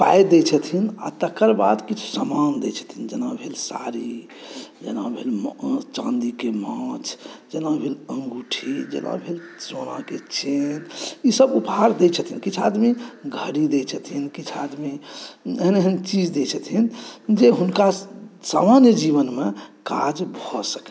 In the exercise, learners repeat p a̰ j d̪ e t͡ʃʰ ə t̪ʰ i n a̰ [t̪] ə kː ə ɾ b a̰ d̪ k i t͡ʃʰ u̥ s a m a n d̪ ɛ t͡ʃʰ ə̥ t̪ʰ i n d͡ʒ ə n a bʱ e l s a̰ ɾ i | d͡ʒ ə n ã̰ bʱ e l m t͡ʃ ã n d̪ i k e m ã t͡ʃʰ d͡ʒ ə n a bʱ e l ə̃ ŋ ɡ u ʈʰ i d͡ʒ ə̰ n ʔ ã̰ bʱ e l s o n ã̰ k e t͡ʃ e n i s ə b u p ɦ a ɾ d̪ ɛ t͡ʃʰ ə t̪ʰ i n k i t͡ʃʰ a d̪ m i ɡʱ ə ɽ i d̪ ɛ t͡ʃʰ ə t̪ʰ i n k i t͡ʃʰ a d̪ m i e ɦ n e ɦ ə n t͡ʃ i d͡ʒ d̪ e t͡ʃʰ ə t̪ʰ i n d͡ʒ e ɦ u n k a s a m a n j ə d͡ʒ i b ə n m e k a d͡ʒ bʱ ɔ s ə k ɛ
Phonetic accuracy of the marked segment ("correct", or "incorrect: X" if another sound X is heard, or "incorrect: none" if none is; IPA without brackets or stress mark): correct